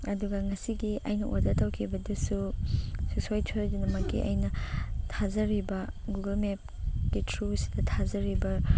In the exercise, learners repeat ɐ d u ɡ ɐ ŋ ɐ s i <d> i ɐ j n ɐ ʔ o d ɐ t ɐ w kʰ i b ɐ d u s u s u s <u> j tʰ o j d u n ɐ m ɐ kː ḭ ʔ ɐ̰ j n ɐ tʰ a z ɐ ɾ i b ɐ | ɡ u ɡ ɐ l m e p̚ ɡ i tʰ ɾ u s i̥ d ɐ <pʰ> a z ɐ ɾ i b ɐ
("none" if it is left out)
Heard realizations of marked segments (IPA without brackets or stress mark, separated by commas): ɡ, o, tʰ